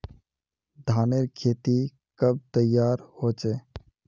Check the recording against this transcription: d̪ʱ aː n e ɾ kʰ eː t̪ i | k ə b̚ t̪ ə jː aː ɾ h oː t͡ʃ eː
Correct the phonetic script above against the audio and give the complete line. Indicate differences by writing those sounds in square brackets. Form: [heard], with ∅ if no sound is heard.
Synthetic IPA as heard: d̪ʱ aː n e ɾ kʰ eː t̪ i | k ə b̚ t̪ ə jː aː ɾ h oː t͡ʃ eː